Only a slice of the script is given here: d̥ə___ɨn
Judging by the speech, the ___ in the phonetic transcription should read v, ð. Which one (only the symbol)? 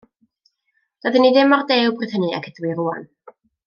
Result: ð